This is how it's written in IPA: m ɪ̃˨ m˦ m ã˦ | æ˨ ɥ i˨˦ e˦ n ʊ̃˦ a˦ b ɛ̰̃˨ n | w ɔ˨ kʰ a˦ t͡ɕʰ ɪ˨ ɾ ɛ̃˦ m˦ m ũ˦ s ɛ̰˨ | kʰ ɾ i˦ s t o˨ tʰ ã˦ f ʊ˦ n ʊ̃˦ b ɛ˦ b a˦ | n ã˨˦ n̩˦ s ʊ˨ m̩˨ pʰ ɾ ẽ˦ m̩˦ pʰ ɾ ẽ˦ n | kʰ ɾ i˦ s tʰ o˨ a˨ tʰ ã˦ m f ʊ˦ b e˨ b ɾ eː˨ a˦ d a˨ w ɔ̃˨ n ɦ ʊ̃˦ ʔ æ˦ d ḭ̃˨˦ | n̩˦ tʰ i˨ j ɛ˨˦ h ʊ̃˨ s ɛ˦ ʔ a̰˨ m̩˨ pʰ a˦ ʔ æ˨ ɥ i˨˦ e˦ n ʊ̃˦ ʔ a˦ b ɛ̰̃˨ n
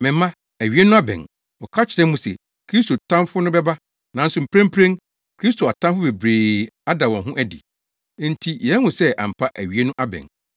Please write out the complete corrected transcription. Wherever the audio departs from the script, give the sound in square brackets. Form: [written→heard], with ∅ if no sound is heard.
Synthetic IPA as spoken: m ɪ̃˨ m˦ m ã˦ | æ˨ ɥ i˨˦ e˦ n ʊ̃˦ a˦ b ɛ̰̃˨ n | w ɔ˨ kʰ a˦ t͡ɕʰ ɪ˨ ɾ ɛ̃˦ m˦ m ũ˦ s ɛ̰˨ | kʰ ɾ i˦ s t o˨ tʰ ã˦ f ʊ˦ n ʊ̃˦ b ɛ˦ b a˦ | n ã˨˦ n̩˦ s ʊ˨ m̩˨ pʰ ɾ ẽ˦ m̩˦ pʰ ɾ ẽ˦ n | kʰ ɾ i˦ s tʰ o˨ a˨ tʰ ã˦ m f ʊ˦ b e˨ b ɾ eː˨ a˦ d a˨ w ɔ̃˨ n ɦ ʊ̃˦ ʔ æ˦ d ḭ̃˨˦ | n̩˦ tʰ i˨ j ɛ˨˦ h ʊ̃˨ s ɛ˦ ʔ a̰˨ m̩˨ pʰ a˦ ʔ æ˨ ɥ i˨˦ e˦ n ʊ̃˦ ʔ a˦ b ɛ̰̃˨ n